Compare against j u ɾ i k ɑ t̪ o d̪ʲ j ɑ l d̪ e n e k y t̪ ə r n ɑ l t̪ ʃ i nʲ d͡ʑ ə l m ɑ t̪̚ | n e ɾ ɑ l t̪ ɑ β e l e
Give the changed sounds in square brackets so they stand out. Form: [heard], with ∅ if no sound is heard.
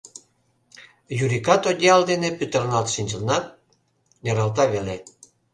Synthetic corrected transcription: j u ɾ i k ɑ t̪ o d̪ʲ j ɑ l d̪ e n e [p] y t̪ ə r n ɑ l t̪ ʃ i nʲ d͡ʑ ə l [n] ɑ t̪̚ | n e ɾ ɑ l t̪ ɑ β e l e